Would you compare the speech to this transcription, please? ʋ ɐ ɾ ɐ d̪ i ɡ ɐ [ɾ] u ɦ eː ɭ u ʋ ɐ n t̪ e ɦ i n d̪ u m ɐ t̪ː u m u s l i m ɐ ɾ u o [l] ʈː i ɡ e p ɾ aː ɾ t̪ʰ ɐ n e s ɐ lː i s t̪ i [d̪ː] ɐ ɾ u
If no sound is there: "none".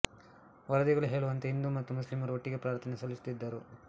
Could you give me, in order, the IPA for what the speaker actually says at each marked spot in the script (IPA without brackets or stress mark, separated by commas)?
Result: ɭ, none, d̪ː